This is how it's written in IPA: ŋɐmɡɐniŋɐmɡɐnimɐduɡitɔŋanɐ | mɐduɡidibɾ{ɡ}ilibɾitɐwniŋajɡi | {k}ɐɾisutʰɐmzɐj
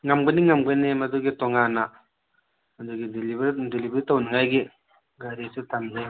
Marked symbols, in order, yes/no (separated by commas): no, no